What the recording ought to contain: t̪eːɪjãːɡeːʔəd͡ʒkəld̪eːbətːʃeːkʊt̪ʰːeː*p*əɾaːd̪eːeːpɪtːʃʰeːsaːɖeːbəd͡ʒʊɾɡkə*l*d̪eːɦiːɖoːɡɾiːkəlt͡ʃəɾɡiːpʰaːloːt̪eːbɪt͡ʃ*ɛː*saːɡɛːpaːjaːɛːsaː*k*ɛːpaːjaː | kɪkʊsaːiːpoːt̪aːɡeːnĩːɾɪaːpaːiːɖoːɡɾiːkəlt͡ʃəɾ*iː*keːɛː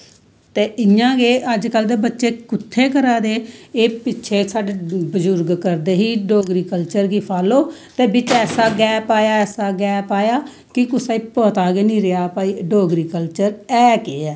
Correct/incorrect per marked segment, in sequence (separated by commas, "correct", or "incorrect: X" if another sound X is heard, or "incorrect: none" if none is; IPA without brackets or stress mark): incorrect: k, incorrect: ɾ, correct, incorrect: ɡ, incorrect: ɛː